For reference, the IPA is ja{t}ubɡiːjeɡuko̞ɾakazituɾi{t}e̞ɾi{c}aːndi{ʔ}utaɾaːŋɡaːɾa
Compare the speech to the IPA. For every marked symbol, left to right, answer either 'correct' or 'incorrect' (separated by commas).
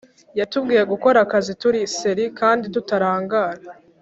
correct, incorrect, incorrect, incorrect